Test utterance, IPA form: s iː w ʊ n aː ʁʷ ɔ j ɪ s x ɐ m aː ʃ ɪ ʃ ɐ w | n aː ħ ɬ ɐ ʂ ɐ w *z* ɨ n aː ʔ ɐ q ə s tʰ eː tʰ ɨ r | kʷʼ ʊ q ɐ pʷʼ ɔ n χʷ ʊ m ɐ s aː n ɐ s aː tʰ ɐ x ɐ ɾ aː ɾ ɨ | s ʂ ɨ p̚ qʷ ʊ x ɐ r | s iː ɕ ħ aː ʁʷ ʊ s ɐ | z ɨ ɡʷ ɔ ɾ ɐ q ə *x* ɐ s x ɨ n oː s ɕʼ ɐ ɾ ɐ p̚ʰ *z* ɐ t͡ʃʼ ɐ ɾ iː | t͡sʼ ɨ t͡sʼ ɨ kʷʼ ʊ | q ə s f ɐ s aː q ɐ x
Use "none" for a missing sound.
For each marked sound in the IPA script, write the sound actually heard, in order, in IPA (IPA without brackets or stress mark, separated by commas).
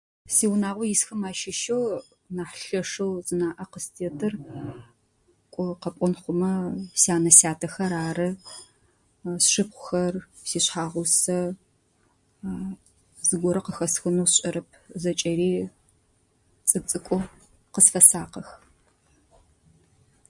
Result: z, x, z